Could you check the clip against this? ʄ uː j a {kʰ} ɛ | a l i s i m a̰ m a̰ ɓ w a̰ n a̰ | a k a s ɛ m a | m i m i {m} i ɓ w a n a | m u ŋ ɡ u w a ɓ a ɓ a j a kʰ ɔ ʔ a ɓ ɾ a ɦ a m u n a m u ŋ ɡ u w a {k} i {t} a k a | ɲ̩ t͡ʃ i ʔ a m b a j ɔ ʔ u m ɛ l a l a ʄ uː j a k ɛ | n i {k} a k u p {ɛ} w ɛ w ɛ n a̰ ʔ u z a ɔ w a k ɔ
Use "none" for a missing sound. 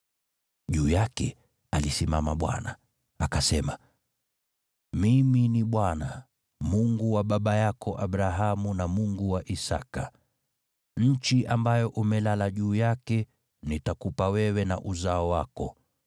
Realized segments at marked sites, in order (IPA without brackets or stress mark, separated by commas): k, n, ʔ, s, t, a